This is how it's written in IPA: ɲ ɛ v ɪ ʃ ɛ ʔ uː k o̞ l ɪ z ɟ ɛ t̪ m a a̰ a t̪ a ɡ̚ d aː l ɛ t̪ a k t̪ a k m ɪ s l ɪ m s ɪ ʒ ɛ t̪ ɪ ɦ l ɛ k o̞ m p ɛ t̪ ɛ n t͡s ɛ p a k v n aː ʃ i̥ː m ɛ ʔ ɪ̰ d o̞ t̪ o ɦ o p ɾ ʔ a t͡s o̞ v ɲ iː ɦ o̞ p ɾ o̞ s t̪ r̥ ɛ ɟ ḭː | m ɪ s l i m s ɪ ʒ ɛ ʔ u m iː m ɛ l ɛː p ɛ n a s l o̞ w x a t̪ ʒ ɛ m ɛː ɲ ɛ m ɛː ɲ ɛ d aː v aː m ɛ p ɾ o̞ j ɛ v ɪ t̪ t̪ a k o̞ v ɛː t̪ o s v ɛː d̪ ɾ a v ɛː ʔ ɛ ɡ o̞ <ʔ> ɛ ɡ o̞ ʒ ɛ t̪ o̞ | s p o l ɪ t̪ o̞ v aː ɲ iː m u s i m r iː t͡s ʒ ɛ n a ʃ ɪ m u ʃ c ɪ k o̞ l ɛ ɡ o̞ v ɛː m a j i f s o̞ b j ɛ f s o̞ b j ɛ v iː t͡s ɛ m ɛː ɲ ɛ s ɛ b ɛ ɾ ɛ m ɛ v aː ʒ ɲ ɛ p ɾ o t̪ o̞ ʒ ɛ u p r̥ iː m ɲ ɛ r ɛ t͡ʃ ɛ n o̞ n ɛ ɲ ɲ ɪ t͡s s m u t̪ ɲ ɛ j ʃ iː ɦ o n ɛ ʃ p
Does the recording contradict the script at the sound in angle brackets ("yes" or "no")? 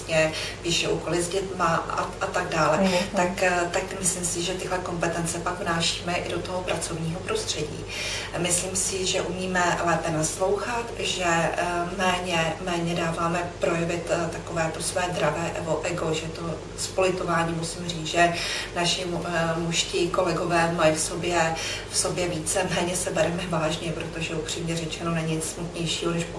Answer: no